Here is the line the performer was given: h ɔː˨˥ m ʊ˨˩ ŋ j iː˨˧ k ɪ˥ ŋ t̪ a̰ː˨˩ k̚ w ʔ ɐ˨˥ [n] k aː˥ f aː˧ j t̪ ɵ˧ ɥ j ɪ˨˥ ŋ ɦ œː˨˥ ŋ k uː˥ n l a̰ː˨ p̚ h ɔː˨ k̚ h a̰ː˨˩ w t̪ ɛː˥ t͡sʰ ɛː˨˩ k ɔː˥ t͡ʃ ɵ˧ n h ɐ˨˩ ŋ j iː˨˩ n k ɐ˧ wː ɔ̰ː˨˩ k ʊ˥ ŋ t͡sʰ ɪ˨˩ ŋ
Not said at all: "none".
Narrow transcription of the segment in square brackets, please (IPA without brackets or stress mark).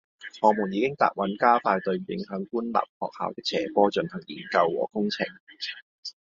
n